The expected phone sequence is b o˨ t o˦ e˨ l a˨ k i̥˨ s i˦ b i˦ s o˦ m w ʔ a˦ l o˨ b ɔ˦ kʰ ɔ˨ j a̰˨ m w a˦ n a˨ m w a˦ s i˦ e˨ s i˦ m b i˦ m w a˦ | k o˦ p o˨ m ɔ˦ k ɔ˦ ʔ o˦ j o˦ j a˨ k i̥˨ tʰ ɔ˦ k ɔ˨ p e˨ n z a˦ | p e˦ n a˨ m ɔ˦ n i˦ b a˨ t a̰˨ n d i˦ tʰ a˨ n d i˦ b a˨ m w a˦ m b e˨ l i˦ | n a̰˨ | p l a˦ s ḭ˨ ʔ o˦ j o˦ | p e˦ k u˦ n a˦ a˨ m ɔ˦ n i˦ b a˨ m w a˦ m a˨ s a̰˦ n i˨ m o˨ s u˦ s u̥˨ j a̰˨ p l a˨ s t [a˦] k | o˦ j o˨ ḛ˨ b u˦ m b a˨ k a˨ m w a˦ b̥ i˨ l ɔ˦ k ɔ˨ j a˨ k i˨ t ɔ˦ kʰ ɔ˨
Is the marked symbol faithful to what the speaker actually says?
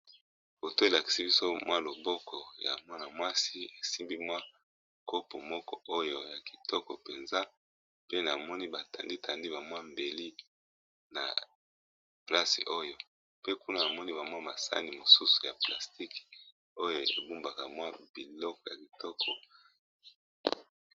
no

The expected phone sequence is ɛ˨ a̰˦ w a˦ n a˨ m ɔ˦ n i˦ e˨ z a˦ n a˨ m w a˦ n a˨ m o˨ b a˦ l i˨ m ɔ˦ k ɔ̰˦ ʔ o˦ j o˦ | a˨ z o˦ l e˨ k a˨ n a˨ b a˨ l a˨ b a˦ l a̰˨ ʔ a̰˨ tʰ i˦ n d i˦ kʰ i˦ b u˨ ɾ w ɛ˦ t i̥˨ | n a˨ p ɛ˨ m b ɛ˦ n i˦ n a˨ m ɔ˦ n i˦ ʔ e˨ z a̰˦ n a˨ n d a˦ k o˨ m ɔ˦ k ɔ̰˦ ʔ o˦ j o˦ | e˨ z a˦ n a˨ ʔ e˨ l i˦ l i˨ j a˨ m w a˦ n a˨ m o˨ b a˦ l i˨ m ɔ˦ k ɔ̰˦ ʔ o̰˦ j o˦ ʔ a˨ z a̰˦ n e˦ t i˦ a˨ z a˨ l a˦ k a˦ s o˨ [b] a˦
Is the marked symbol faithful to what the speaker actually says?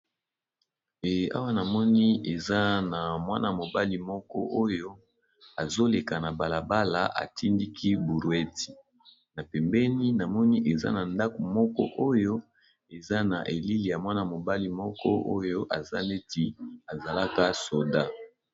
no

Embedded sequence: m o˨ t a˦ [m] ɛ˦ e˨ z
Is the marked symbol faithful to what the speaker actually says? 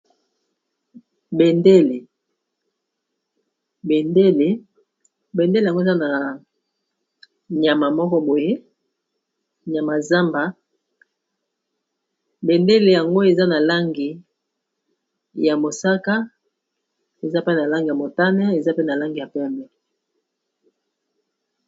no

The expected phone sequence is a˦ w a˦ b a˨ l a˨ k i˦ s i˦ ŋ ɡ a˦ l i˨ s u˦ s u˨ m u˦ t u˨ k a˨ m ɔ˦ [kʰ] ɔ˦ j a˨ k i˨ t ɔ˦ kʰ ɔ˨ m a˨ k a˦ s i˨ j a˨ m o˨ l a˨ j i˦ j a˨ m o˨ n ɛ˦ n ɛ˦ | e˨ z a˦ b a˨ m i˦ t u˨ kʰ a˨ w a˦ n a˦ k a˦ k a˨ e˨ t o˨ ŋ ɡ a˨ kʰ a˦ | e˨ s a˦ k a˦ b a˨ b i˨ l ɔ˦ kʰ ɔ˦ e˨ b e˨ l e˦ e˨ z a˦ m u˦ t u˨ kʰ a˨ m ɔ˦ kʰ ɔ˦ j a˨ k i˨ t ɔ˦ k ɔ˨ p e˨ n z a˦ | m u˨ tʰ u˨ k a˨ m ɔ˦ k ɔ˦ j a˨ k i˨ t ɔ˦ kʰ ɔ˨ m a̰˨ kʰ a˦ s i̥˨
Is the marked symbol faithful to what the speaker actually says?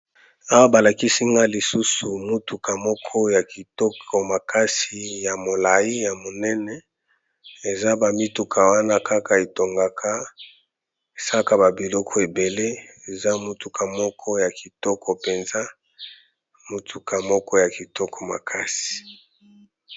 yes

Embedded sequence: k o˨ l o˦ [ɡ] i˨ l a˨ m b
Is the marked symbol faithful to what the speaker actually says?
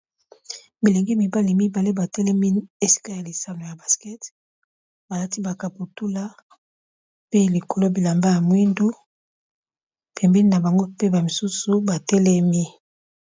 no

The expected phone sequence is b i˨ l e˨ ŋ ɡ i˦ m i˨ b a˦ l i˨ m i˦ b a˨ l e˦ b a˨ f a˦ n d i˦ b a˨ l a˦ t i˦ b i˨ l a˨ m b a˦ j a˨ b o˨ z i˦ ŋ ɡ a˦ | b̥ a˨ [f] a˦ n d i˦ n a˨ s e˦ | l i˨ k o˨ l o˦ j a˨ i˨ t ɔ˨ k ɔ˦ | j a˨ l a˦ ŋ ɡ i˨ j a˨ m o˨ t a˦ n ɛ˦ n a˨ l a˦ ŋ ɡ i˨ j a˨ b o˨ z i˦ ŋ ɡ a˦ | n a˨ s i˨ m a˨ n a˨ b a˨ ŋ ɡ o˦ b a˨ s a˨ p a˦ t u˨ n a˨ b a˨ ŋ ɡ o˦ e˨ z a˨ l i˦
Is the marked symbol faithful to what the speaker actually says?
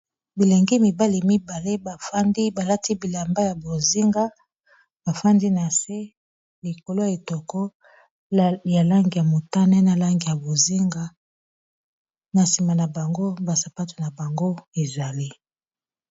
yes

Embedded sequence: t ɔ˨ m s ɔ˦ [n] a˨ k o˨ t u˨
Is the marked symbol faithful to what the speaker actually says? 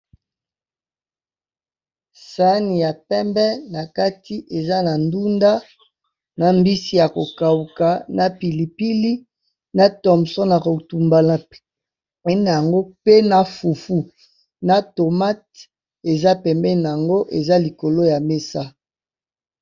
yes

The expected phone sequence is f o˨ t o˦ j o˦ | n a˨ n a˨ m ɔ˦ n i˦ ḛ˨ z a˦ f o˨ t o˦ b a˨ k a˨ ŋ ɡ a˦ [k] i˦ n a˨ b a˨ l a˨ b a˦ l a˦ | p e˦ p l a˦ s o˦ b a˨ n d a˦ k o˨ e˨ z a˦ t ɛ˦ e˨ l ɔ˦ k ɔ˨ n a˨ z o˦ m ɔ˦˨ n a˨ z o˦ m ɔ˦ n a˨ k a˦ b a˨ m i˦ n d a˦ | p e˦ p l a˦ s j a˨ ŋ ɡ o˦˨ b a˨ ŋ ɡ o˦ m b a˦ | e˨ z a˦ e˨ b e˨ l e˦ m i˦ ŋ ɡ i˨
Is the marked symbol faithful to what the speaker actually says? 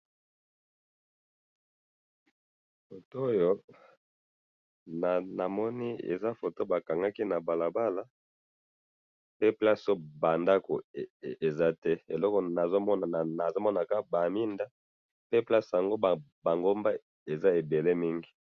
yes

